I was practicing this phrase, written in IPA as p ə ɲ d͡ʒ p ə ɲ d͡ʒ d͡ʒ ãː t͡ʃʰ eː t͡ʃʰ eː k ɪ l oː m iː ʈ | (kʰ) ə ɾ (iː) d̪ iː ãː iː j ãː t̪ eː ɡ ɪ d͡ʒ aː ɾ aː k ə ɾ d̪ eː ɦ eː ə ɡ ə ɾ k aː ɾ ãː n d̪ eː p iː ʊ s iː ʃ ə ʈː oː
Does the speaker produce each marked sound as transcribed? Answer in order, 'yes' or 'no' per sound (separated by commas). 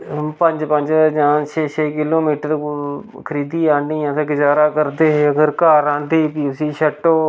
yes, yes